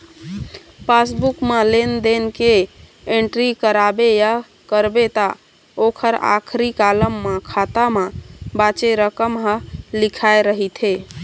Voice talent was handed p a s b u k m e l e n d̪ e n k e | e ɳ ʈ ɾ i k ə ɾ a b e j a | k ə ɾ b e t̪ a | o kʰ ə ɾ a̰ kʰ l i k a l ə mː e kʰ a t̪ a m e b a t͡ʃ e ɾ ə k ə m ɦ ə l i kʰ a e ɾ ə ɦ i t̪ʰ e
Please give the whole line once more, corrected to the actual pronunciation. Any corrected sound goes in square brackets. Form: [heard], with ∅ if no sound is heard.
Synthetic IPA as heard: p a s b u k m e l e n d̪ e n k e | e ɳ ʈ ɾ i k ə ɾ a b e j a | k ə ɾ b e t̪ a | o kʰ ə ɾ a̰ kʰ [ɾ] i k a l ə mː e kʰ a t̪ a m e b a t͡ʃ e ɾ ə k ə m ɦ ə l i kʰ a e ɾ ə ɦ i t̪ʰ e